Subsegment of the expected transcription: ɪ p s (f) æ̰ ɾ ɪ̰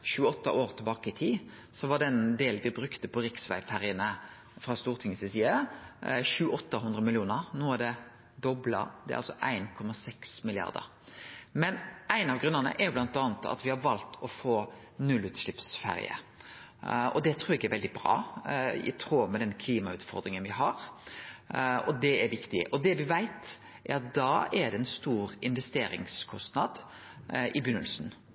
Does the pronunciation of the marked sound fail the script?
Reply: no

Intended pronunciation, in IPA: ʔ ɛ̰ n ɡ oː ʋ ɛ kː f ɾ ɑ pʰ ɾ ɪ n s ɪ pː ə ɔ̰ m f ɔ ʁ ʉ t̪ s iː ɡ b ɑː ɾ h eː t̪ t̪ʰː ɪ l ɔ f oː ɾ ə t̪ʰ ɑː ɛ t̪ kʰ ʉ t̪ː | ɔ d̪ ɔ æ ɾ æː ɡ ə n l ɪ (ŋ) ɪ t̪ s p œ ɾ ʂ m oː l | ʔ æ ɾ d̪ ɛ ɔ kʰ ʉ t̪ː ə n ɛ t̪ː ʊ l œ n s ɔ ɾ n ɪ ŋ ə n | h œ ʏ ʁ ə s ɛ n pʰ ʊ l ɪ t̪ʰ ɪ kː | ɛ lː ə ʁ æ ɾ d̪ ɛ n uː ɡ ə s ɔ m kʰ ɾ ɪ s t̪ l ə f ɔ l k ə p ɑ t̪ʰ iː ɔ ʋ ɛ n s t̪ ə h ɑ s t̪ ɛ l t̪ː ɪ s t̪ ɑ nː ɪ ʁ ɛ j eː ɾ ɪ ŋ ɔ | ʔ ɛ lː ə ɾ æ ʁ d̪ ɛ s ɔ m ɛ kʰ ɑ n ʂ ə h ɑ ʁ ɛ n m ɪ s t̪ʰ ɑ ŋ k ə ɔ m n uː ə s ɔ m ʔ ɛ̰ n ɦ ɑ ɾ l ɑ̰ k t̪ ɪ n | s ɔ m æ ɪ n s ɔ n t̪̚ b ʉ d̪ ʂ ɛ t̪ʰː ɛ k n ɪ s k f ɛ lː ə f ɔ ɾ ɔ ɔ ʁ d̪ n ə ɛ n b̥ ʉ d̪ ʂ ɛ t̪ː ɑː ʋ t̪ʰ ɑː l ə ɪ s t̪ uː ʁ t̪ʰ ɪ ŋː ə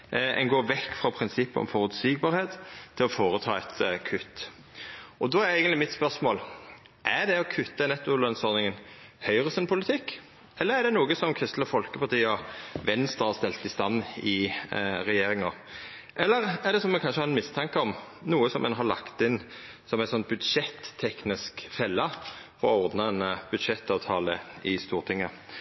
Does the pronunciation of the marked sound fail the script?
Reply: yes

